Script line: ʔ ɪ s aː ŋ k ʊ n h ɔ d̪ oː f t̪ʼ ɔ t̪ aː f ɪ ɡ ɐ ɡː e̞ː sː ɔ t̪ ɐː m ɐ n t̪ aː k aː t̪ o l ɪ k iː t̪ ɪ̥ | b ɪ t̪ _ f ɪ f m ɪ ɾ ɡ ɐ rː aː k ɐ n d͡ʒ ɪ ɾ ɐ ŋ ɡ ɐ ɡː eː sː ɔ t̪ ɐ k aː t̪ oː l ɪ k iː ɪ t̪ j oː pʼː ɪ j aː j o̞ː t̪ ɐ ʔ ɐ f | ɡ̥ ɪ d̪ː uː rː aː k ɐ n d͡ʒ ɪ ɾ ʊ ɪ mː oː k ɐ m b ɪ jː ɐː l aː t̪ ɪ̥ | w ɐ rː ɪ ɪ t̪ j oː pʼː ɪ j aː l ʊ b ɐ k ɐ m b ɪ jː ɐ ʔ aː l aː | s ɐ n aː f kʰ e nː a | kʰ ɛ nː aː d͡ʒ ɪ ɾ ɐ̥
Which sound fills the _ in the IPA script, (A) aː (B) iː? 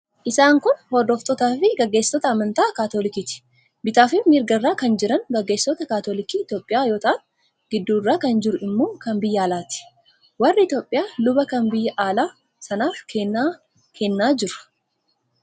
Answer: A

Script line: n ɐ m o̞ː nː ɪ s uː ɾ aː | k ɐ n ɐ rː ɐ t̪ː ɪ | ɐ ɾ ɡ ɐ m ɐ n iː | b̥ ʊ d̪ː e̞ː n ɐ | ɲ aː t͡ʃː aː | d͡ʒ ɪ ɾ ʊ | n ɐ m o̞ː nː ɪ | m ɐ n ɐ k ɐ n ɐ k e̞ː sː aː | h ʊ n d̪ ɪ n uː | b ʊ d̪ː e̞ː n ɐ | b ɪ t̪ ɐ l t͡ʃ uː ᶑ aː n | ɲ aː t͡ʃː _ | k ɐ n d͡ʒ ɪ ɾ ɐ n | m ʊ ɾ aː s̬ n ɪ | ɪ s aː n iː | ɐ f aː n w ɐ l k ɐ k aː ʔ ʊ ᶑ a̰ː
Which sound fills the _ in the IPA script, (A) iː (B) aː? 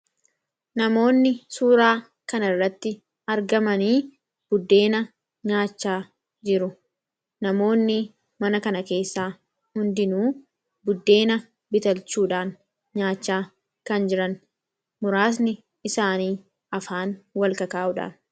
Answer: B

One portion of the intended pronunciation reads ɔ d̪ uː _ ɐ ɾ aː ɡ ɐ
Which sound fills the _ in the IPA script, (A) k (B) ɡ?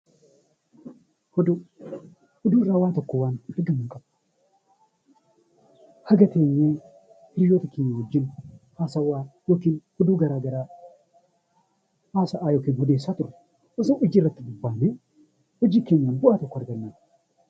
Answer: B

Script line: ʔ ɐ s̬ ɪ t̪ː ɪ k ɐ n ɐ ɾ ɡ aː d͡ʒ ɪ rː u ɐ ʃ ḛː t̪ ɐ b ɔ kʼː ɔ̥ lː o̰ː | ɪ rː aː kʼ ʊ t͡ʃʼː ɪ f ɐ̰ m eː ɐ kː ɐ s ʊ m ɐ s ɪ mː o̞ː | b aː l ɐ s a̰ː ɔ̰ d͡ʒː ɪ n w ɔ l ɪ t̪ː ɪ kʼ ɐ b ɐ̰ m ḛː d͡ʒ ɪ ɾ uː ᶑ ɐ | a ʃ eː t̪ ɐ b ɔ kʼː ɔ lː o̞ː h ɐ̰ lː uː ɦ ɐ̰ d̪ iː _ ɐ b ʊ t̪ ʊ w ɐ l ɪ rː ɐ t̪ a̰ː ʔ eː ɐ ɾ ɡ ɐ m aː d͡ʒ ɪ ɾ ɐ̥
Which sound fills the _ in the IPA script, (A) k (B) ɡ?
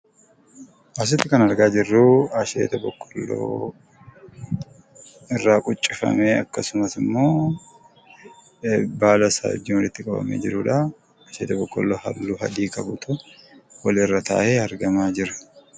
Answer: A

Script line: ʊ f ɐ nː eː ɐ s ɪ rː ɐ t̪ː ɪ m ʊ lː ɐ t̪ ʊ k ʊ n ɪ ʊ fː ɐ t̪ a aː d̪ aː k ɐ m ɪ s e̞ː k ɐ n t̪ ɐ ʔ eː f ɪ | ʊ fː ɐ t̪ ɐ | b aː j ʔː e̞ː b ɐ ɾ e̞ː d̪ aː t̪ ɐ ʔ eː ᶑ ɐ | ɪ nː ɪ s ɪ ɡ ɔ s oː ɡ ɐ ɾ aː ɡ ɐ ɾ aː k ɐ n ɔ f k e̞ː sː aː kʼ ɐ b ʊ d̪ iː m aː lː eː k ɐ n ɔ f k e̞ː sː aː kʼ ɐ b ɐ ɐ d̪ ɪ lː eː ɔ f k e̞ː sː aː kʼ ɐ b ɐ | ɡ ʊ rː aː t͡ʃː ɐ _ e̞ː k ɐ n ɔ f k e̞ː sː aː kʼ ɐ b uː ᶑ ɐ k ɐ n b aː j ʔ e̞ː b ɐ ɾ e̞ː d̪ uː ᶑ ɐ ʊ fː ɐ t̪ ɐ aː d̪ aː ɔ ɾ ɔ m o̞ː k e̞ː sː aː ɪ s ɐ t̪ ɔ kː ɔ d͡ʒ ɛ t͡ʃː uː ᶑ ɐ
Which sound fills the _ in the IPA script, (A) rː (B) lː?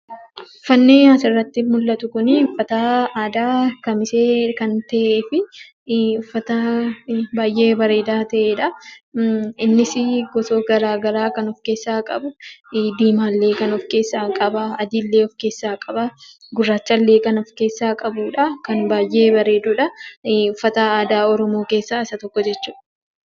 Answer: B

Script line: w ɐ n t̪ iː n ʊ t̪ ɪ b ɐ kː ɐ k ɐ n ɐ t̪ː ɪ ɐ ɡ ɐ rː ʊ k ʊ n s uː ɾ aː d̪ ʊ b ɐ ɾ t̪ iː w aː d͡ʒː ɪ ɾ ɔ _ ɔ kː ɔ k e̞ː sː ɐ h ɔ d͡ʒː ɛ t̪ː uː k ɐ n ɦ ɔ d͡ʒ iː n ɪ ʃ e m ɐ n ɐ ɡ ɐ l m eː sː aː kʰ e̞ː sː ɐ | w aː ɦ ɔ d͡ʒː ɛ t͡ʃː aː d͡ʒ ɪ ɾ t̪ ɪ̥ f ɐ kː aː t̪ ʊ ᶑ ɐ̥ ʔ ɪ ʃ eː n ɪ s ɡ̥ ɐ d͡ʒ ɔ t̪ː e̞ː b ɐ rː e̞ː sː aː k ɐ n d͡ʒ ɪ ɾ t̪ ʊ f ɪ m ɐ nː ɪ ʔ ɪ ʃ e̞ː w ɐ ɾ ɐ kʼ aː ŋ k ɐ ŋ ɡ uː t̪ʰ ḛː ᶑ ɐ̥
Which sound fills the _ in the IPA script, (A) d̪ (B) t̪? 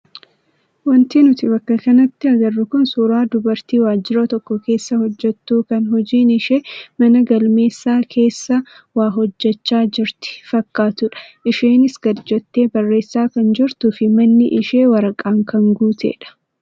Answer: B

